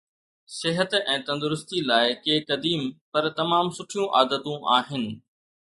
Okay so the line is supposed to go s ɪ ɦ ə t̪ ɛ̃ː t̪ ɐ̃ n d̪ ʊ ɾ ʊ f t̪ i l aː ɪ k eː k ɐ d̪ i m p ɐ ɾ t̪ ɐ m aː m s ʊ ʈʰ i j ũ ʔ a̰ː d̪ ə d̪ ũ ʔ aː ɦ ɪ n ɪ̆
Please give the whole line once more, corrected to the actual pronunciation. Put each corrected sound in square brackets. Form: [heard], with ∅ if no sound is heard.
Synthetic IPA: s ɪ ɦ ə t̪ ɛ̃ː t̪ ɐ̃ n d̪ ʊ ɾ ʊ [s] t̪ i l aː ɪ k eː k ɐ d̪ [iː] m p ɐ ɾ t̪ ɐ m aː m s ʊ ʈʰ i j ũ ʔ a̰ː d̪ ə [t̪] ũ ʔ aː ɦ ɪ n ɪ̆